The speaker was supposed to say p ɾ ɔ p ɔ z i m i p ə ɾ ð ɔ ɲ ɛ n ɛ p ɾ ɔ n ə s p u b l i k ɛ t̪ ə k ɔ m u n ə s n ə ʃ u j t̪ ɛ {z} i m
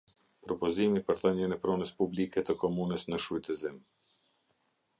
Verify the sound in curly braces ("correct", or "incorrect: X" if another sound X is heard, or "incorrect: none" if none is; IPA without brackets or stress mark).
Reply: correct